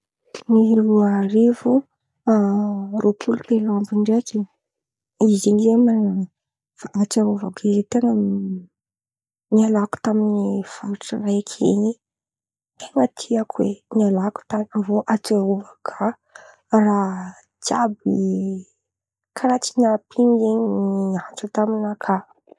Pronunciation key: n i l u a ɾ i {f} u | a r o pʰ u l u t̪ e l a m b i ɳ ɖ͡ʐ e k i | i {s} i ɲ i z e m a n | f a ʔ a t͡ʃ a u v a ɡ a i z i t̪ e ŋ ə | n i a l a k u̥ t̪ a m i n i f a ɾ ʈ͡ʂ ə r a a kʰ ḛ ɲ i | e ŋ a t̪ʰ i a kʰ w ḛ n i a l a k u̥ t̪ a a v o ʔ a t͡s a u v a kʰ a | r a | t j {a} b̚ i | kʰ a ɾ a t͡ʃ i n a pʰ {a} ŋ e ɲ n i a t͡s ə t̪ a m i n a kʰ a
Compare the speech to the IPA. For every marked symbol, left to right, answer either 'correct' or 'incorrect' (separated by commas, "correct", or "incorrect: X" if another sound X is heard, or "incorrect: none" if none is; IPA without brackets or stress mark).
incorrect: v, incorrect: z, correct, incorrect: i